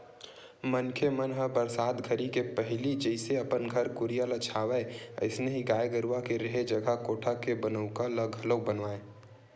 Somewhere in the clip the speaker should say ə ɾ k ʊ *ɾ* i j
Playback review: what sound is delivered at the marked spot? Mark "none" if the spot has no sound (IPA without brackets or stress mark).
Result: ɾ